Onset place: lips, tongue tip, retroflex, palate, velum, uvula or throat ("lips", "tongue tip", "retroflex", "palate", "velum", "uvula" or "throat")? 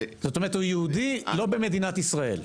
tongue tip